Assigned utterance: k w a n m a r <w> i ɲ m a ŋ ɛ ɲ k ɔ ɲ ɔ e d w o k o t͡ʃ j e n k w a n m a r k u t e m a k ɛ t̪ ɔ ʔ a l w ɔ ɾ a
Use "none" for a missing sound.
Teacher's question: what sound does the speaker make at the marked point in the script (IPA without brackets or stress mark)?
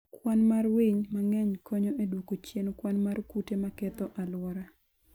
w